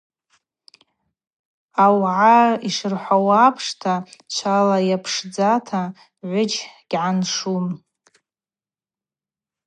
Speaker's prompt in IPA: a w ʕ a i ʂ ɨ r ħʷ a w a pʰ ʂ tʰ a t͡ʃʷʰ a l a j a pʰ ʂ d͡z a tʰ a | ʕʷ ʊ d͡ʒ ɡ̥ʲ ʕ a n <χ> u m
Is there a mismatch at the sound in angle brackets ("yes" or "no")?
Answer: yes